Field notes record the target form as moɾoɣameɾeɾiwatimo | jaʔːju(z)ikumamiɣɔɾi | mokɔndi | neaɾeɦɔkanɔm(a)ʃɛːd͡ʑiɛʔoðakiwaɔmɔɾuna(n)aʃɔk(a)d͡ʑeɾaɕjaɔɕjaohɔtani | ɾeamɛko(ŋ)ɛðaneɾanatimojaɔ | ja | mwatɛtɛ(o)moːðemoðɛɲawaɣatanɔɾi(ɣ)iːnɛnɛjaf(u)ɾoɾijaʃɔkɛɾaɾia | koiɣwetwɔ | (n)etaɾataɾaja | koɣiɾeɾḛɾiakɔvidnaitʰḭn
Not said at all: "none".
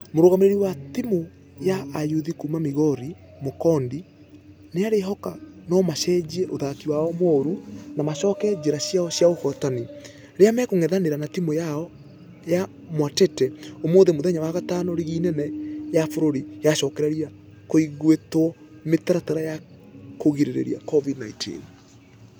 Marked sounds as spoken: ð, a, m, ɛ, ŋ, o, ɣ, o, m

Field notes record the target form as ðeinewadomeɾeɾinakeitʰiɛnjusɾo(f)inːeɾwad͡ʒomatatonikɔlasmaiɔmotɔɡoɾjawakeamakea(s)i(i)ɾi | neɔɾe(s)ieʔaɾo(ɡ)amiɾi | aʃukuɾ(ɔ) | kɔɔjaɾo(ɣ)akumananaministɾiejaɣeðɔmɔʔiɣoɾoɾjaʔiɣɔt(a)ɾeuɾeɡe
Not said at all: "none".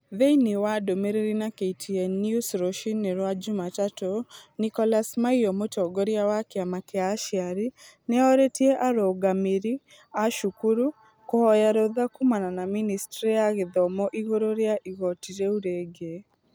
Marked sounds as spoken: ʃ, ʃ, a, t, ɡ, u, ð, i

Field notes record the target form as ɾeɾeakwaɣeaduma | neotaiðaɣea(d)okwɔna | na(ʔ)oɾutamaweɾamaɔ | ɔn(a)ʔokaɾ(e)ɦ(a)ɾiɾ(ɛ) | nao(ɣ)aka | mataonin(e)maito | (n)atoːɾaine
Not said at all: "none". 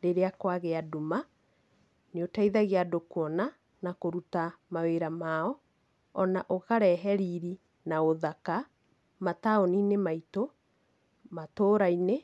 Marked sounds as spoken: d, k, a, ɛ, ɛ, i, ð, e, m

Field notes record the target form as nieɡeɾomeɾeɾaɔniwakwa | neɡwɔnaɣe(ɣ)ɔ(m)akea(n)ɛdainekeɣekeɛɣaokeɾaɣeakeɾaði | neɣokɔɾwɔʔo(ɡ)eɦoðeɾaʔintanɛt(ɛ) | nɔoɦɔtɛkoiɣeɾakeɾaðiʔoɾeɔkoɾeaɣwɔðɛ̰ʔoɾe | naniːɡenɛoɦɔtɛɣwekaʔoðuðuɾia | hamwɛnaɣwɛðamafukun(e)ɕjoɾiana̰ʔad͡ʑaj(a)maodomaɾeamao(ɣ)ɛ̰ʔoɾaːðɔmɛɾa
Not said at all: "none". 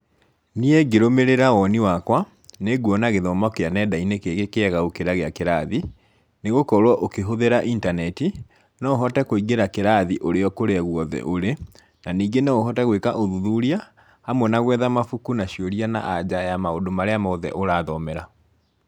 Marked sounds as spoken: ð, m, n, k, i, a, a, ð

